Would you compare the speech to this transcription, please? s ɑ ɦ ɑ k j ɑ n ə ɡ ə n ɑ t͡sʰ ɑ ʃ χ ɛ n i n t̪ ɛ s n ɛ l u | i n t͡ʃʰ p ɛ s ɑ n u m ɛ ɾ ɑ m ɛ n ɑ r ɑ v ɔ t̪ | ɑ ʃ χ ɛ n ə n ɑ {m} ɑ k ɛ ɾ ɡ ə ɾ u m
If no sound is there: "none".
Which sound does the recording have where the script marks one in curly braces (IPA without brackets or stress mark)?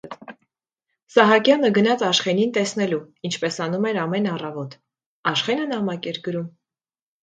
m